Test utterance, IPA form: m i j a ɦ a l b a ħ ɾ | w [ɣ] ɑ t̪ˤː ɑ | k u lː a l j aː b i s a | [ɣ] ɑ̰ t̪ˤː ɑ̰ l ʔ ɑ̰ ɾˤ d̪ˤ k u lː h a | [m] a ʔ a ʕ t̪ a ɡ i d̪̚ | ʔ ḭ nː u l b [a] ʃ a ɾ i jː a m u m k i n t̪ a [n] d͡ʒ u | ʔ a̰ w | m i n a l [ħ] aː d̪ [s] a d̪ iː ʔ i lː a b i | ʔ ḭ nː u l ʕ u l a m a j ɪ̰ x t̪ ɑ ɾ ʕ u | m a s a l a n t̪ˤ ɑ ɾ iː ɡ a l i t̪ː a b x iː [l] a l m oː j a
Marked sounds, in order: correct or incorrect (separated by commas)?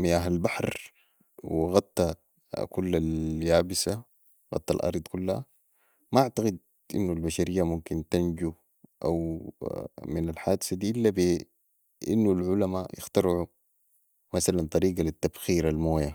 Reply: correct, correct, correct, correct, correct, correct, correct, incorrect